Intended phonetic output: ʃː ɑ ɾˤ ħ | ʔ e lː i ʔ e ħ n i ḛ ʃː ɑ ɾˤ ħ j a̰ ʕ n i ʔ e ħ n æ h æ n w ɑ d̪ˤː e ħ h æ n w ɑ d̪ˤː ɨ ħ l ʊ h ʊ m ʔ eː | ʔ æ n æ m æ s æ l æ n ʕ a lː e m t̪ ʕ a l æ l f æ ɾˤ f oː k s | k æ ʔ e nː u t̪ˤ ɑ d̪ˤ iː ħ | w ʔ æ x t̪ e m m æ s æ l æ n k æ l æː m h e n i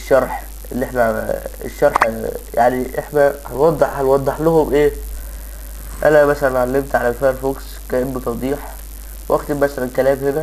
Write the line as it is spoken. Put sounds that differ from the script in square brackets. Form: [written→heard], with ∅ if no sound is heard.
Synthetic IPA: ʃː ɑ ɾˤ ħ | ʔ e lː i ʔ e ħ n [i→æ] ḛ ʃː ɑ ɾˤ ħ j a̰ ʕ n i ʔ e ħ n æ h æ n w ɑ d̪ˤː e ħ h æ n w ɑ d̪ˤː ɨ ħ l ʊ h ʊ m ʔ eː | ʔ æ n æ m æ s æ l æ n ʕ a lː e m t̪ ʕ a l æ l f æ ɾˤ f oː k s | k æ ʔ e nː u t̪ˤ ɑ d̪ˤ iː ħ | w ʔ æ x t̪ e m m æ s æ l æ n k æ l æː m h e n [i→æ]